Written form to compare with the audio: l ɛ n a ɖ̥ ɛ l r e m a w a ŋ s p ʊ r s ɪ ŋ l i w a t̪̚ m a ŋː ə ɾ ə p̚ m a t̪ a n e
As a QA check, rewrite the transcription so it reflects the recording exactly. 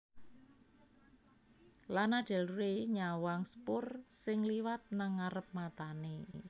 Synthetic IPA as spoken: l a n a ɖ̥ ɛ l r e ɲ a w a ŋ s p ʊ r s ɪ ŋ l i w a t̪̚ n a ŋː a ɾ ə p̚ m a t̪ a n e